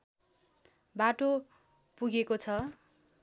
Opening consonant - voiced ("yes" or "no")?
yes